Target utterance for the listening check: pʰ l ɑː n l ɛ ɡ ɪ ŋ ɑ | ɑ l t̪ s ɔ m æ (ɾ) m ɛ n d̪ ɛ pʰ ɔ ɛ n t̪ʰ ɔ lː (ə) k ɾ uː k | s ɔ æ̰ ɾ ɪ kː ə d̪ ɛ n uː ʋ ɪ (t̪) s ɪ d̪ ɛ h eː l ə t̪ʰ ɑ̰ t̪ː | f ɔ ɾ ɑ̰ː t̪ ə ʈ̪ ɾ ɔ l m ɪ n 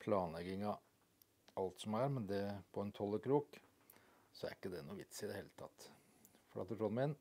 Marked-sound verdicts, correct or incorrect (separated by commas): correct, correct, correct